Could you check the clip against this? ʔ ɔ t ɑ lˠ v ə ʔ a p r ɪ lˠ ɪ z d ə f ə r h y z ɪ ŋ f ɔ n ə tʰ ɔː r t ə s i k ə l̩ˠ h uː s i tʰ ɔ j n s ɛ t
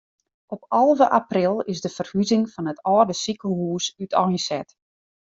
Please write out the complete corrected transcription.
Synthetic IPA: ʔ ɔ p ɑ lˠ v ə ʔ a p r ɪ lˠ ɪ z d ə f ə r h y z ɪ ŋ f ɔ n ə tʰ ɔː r d ə s i k ə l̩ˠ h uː s y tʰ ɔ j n s ɛ t